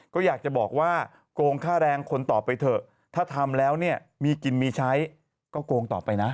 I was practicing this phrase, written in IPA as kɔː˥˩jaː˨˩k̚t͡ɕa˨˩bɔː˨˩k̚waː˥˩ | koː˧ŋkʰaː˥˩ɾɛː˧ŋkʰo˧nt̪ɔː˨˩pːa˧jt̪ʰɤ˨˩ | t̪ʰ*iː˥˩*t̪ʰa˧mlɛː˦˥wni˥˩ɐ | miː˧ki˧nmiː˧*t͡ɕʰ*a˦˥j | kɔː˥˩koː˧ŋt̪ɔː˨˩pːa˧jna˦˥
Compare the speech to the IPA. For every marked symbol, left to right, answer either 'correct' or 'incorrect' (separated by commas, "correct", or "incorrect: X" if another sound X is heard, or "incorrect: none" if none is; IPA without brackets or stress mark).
incorrect: aː˥˩, correct